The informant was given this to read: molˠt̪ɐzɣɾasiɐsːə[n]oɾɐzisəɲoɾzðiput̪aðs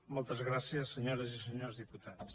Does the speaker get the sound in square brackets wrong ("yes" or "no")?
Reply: yes